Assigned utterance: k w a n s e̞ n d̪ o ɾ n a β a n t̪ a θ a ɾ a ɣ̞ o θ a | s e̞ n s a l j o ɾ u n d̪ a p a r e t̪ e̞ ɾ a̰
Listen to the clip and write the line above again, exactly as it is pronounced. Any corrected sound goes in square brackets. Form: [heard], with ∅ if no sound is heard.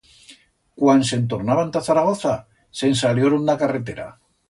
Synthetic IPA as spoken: k w a n s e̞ n [t̪] o ɾ n a β a n t̪ a θ a ɾ a ɣ̞ o θ a | s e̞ n s a l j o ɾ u n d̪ a [k] a r e t̪ e̞ ɾ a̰